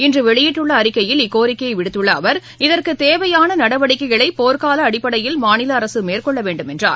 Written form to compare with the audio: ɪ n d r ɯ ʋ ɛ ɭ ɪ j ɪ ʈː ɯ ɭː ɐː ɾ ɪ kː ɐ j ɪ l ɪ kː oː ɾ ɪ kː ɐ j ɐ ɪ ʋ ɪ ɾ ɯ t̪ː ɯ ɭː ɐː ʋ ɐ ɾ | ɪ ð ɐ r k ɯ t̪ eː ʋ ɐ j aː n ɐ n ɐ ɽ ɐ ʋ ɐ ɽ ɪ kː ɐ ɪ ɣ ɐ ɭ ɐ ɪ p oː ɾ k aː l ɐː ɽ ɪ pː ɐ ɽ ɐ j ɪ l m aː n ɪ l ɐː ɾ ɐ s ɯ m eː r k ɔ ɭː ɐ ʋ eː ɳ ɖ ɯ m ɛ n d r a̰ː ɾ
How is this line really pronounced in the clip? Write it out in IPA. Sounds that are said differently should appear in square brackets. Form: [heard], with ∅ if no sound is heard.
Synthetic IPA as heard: ɪ n d r ɯ ʋ ɛ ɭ ɪ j ɪ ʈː ɯ ɭː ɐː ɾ ɪ kː ɐ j ɪ l ɪ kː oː ɾ ɪ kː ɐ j ɐ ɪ ʋ ɪ [ɽ] ɯ t̪ː ɯ ɭː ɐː ʋ ɐ ɾ | ɪ ð ɐ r k ɯ t̪ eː ʋ ɐ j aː n ɐ n ɐ ɽ ɐ ʋ ɐ ɽ ɪ kː ɐ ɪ ɣ ɐ ɭ ɐ ɪ p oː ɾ k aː l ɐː ɽ ɪ pː ɐ ɽ ɐ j ɪ l m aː n ɪ l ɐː ɾ ɐ s ɯ m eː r k ɔ ɭː ɐ ʋ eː ɳ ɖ ɯ m ɛ n d r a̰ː ɾ